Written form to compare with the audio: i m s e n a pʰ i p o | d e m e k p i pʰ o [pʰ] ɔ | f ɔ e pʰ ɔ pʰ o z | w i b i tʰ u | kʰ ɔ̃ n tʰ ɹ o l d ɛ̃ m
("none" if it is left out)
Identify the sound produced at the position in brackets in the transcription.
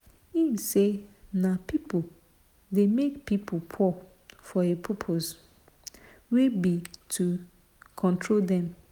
pʰ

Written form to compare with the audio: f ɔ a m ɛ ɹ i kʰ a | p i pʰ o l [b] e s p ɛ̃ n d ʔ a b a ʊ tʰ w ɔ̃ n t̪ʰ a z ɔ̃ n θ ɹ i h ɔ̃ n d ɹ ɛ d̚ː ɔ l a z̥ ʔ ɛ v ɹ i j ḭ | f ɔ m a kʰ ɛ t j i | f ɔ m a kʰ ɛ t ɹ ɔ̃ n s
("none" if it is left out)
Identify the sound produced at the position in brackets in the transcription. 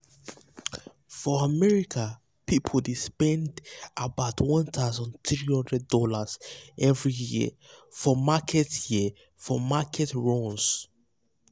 d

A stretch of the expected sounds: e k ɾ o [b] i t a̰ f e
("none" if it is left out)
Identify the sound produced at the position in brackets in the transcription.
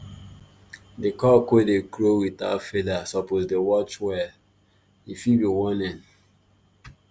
w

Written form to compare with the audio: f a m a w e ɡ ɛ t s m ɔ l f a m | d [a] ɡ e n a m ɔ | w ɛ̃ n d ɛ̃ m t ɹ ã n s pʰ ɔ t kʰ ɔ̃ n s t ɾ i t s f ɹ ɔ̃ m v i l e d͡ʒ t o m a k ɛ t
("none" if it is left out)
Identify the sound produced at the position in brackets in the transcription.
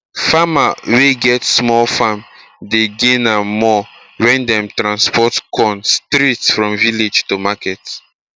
e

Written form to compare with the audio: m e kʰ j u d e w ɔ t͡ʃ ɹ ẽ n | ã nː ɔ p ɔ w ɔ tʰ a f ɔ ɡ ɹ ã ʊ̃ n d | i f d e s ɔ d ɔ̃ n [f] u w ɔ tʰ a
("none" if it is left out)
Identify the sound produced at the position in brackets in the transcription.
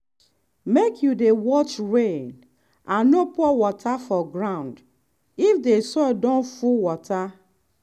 f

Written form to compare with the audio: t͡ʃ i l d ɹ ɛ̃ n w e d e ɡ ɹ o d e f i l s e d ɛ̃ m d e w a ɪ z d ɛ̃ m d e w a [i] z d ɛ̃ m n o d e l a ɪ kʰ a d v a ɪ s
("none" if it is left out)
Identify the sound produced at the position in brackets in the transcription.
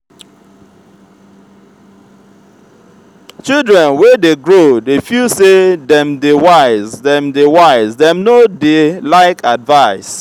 ɪ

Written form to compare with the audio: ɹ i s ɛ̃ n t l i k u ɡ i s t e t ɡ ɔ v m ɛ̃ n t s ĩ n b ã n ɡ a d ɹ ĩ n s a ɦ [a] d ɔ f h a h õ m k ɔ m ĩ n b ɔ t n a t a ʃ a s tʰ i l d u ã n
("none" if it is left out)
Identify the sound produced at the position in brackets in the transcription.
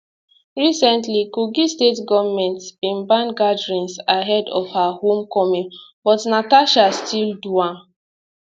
ɛ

